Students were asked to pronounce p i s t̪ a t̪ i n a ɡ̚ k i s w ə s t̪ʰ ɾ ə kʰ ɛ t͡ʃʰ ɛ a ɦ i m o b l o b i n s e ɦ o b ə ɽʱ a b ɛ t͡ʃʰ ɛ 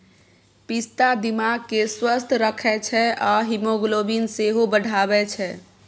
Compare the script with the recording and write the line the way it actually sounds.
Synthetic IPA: p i s t̪ a d̪ i m a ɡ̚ k e s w ə s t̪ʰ ɾ ə kʰ ɛ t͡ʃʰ ɛ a ɦ i m o ɡ l o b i n s e ɦ o b ə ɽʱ a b ɛ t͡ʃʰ ɛ